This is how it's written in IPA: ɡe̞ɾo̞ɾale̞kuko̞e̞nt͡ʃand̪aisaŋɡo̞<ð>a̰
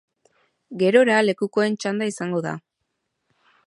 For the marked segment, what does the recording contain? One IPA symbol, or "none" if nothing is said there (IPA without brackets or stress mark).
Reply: ð